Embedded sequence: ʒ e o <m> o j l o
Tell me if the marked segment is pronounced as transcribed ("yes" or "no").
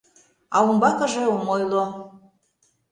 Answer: yes